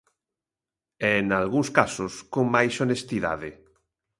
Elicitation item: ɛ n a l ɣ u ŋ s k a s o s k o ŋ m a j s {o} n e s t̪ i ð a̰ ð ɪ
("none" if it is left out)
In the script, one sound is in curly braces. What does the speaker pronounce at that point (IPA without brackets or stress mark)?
o